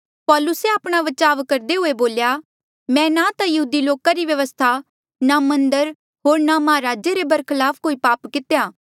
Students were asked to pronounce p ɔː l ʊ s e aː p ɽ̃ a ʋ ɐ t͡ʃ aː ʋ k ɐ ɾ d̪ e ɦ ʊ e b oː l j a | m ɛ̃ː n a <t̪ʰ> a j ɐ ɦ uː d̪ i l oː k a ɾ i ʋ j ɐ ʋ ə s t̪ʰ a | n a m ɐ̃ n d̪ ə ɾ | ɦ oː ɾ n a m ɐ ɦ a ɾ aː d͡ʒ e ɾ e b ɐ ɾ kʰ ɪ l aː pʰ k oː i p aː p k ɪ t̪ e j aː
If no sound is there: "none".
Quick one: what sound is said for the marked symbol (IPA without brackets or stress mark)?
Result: t̪